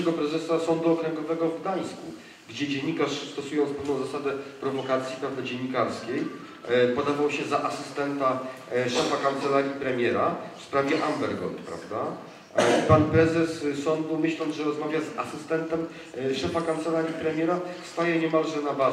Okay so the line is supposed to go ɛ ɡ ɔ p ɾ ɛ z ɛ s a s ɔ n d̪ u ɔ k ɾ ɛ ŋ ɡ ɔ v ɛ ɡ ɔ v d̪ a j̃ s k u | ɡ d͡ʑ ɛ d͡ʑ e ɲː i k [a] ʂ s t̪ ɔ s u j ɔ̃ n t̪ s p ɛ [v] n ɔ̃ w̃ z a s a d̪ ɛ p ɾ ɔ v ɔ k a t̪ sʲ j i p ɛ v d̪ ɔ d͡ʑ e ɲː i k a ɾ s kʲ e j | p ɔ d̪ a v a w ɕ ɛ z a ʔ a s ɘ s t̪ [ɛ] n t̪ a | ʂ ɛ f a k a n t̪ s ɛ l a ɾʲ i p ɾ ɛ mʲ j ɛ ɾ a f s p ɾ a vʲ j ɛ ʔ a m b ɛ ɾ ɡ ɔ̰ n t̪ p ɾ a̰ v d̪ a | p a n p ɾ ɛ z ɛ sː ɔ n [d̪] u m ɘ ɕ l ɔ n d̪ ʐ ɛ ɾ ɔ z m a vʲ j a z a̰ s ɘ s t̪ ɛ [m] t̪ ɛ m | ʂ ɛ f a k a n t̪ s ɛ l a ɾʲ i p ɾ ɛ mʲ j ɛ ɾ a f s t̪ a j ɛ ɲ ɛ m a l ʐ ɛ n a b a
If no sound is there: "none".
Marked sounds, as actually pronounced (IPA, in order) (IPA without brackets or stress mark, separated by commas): a, v, ɛ, d̪, n